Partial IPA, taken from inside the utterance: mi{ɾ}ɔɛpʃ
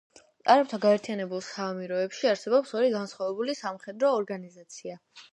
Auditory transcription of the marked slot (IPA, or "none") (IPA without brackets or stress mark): ɾ